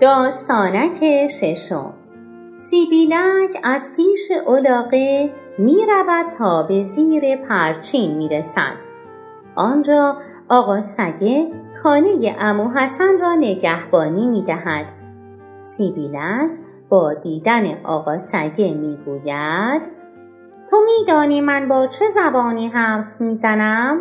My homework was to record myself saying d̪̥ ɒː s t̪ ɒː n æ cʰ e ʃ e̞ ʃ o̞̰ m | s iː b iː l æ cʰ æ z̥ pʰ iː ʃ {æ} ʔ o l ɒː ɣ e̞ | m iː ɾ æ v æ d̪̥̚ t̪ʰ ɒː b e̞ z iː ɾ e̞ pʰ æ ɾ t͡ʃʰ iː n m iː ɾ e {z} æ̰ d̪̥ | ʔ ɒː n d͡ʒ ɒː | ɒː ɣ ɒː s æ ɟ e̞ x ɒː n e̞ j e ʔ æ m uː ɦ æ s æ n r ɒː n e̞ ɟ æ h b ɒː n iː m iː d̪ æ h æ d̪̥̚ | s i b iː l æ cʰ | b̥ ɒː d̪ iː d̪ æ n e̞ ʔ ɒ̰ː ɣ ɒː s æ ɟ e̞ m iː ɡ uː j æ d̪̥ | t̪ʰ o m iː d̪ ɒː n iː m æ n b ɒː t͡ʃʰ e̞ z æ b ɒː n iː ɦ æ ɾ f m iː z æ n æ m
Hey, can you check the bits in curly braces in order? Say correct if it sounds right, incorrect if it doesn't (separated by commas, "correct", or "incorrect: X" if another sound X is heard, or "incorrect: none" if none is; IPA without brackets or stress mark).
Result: incorrect: e, incorrect: s